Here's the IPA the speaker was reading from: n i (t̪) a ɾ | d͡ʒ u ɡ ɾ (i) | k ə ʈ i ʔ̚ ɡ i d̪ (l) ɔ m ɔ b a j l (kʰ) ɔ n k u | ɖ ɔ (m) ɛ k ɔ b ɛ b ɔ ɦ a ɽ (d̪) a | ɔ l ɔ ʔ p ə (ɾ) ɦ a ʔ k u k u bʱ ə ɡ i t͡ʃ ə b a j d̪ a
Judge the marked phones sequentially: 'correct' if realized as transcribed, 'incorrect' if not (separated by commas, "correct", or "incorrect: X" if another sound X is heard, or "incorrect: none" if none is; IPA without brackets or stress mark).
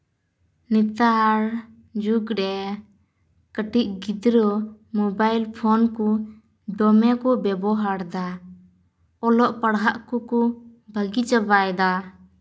correct, incorrect: ɛ, incorrect: ɾ, incorrect: pʰ, correct, correct, incorrect: ɽ